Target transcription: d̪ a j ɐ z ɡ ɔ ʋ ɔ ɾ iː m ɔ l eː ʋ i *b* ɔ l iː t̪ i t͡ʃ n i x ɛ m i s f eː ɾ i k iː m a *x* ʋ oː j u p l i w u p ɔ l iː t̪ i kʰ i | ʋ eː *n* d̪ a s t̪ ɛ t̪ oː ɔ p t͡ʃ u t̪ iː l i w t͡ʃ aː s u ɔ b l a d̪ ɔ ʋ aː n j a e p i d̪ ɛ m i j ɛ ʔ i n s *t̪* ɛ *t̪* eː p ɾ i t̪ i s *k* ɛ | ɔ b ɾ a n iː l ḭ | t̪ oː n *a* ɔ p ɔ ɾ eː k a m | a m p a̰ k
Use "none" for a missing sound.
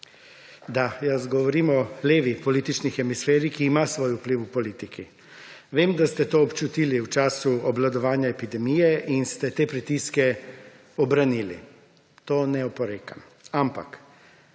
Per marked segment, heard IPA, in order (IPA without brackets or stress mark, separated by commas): p, s, m, t̪, t̪, k, ɛ